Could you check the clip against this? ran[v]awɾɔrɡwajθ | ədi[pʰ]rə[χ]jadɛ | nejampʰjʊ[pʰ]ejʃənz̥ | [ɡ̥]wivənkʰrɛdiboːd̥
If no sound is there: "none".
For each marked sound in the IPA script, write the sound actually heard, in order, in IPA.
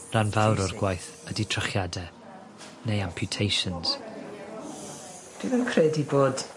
v, tʰ, χ, tʰ, d̥

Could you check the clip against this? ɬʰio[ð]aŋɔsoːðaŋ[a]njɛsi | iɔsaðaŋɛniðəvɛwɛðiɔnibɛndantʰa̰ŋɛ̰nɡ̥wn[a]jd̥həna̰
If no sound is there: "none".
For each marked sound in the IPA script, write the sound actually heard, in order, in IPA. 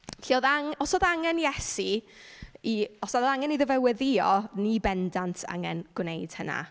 ð, ɛ, e

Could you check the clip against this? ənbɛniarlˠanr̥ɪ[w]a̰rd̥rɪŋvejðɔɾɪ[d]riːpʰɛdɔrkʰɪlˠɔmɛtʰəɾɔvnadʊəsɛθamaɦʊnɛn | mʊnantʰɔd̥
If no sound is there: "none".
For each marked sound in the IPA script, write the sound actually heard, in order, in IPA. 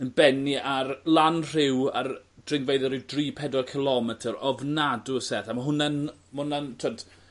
w, d

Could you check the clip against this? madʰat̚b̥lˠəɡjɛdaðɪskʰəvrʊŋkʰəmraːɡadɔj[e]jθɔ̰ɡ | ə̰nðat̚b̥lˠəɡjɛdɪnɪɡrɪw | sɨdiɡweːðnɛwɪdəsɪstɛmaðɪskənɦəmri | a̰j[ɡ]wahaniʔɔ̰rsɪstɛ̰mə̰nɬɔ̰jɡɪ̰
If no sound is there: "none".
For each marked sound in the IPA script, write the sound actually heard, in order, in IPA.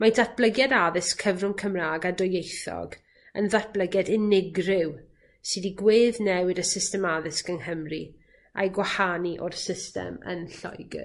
e, ɡ

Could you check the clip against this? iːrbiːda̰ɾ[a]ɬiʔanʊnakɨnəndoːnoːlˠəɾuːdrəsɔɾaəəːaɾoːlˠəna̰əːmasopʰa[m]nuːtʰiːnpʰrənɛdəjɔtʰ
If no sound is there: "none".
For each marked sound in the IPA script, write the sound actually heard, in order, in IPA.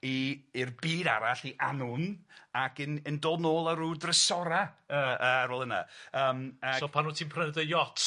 a, none

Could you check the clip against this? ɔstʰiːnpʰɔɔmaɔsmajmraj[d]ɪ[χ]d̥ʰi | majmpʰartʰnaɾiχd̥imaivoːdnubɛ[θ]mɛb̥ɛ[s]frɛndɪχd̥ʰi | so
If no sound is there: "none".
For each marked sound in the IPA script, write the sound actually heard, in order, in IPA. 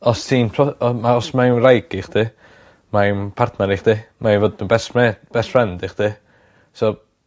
ɡ, χ, s, s

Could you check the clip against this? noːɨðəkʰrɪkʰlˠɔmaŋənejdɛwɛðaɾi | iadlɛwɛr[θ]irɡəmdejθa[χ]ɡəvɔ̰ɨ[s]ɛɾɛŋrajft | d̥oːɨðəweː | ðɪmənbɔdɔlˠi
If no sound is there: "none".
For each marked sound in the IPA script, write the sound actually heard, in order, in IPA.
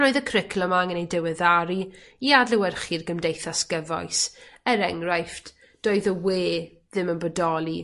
χ, s, s

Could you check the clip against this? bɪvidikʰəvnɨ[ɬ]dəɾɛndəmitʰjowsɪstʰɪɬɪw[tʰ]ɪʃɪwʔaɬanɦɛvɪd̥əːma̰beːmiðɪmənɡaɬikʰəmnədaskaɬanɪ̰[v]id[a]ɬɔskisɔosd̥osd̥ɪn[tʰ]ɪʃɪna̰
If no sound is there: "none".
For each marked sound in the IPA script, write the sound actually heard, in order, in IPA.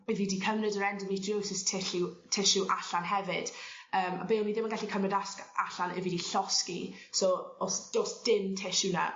none, tʰ, v, i, tʰ

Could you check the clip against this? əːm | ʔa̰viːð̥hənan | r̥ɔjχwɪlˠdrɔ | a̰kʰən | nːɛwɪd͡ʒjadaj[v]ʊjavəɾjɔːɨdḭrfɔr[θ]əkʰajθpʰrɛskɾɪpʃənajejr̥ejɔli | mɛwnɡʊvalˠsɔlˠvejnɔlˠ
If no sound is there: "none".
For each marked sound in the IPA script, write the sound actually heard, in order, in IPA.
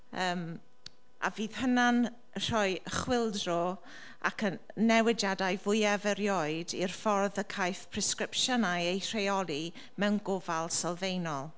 v, ð

